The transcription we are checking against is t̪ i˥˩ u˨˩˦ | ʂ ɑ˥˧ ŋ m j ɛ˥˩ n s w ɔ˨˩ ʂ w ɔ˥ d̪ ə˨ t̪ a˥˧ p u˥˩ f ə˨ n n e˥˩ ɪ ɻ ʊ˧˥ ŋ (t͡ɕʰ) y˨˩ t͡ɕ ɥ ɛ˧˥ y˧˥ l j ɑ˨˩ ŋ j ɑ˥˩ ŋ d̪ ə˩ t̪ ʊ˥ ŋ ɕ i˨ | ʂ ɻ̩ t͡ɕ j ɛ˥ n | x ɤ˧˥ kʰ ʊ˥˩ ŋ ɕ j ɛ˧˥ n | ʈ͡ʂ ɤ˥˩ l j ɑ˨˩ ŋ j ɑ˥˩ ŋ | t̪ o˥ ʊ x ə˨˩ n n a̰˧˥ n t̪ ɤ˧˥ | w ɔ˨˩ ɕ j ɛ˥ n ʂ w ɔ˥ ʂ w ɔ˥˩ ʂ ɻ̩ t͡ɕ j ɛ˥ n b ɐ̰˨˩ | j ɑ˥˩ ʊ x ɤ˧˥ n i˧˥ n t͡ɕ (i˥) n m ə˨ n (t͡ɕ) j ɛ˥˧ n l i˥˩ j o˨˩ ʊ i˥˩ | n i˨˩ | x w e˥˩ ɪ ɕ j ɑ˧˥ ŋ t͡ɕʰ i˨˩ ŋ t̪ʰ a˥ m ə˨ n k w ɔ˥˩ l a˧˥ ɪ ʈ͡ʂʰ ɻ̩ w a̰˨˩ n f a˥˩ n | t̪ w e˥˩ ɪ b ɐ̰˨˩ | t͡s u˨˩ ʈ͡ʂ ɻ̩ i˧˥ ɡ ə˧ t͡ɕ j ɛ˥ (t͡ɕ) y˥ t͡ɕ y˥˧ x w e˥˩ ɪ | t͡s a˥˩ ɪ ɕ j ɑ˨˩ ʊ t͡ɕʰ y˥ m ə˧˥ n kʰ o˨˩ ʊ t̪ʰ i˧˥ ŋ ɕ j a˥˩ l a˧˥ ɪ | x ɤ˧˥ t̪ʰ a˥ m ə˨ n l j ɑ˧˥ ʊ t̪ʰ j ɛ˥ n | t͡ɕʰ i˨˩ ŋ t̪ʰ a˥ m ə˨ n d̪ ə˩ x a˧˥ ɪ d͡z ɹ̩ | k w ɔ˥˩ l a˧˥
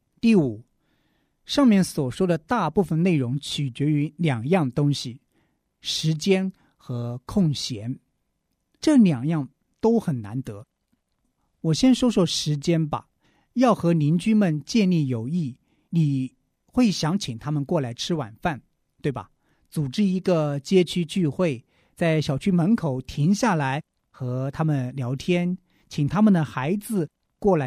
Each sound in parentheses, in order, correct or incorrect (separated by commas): correct, incorrect, correct, incorrect